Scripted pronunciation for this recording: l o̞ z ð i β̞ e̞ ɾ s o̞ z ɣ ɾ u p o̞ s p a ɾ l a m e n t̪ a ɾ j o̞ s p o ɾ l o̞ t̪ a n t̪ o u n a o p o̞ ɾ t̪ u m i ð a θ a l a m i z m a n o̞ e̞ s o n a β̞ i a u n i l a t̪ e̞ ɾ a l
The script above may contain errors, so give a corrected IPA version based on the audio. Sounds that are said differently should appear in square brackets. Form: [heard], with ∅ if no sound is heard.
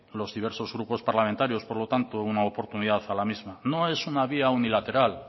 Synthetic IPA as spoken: l o̞ z ð i β̞ e̞ ɾ s o̞ z ɣ ɾ u p o̞ s p a ɾ l a m e n t̪ a ɾ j o̞ s p o ɾ l o̞ t̪ a n t̪ o u n a o p o̞ ɾ t̪ u [n] i ð a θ a l a m i z m a n o̞ e̞ s [u] n a β̞ i a u n i l a t̪ e̞ ɾ a l